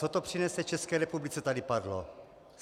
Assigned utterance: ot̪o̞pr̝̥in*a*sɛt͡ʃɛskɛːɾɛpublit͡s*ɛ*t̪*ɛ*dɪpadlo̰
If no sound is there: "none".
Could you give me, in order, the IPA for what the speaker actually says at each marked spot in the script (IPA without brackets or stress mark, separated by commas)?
ɛ, ɛ, a